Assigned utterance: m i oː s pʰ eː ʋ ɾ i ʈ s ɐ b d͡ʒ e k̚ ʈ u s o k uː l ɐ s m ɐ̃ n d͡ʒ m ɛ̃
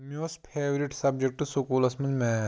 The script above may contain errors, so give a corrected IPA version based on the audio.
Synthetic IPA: m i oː s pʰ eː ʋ ɾ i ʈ s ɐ b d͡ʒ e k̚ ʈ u s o k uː l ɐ s m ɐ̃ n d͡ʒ m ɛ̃